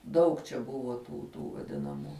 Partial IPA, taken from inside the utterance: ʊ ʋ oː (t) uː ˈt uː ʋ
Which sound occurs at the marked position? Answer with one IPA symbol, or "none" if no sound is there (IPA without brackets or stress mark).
t